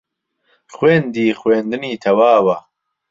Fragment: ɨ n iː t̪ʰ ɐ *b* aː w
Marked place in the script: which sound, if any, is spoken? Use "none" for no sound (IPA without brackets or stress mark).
w